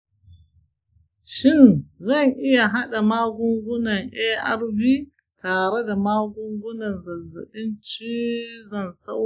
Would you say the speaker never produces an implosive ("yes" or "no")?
no